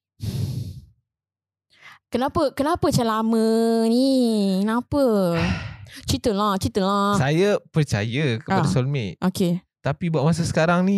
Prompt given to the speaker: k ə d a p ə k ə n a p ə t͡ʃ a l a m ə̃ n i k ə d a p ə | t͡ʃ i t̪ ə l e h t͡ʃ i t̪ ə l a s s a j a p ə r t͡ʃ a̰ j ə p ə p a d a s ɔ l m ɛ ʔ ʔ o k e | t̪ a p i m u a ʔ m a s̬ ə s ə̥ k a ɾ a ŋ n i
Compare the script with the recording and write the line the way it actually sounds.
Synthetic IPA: k ə n a p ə k ə n a p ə t͡ʃ a l a m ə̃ n i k ə n a p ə | t͡ʃ i t̪ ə l a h t͡ʃ i t̪ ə l a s s a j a p ə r t͡ʃ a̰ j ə k ə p a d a s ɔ l m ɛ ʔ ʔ o k e | t̪ a p i b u a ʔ m a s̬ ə s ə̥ k a ɾ a ŋ n i